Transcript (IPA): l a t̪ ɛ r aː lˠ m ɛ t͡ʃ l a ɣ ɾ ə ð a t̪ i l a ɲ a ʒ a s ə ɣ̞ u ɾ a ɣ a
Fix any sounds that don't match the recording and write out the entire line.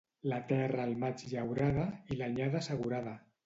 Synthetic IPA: l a t̪ ɛ r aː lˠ m a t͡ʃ ʎ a w ɾ a ð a i l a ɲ a ð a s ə ɣ̞ u ɾ a ð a